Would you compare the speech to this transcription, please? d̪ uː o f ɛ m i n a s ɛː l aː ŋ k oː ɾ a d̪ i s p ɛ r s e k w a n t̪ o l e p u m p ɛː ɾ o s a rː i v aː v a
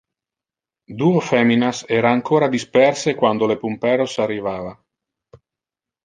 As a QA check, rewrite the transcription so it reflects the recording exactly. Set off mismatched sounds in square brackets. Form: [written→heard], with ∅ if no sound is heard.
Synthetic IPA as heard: d̪ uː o f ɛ m i n a s ɛː [l→ɾ] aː ŋ k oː ɾ a d̪ i s p ɛ r s e k w a n [t̪→d̪] o l e p u m p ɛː ɾ o s a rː i v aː v a